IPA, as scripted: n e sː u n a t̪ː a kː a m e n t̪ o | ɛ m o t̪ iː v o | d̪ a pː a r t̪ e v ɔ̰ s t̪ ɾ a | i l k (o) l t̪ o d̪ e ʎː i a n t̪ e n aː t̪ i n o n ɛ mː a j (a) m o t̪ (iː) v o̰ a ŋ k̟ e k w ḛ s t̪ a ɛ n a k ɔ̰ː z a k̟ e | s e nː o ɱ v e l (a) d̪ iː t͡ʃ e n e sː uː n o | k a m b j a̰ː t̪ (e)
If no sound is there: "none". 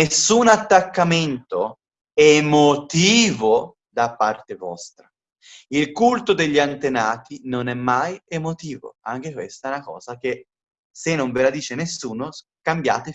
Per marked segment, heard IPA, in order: u, e, iː, a, e

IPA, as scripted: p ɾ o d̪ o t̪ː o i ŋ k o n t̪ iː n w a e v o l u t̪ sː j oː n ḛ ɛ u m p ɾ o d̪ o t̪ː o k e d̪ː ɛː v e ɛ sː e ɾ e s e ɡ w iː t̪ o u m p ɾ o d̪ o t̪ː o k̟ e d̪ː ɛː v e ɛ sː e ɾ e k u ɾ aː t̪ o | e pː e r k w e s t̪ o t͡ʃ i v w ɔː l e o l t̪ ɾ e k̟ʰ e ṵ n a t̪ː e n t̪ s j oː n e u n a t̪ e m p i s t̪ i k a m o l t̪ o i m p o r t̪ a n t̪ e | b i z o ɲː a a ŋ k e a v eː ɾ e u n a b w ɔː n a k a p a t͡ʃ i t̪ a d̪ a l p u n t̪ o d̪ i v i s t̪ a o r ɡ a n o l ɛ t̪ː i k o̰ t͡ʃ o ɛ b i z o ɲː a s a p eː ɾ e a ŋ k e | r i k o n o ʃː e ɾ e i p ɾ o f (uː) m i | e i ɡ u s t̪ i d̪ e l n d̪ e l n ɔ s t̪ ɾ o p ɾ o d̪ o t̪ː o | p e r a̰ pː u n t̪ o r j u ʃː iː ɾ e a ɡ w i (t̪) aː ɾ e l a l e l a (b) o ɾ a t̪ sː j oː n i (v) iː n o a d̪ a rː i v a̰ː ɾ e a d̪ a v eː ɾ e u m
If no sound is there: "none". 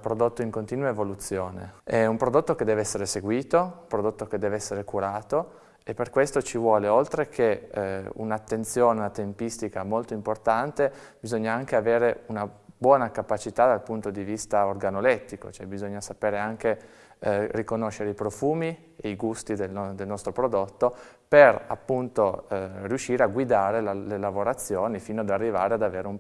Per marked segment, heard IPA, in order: uː, d̪, v, f

